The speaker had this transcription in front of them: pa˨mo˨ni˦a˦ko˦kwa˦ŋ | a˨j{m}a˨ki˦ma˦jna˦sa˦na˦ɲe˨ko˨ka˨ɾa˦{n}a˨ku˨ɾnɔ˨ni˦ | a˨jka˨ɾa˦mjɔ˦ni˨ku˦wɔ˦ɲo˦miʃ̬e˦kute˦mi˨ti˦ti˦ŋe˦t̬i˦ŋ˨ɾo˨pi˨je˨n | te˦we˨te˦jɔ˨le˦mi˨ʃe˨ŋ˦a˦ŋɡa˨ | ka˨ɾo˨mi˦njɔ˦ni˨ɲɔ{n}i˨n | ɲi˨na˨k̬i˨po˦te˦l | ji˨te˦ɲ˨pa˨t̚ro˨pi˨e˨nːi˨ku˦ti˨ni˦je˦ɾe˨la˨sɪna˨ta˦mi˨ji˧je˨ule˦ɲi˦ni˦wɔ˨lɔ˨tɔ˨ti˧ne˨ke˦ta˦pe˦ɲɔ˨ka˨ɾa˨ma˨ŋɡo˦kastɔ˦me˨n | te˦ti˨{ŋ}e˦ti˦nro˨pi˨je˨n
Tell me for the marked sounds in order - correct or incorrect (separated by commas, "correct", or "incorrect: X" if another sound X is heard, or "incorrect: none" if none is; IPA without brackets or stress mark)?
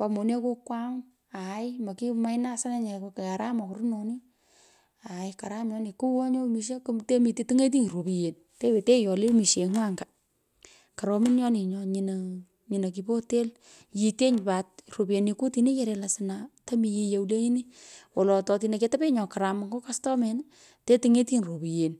correct, incorrect: m, incorrect: ɲ, correct